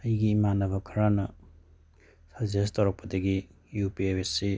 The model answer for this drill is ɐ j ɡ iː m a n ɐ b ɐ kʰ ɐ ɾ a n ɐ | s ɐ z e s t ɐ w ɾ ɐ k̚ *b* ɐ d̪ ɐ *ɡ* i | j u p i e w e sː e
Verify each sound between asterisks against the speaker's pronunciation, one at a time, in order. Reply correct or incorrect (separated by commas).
incorrect, correct